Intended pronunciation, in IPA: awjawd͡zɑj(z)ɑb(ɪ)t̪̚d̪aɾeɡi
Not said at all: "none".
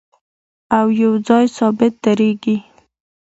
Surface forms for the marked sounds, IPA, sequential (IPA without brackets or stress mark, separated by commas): s, ɪ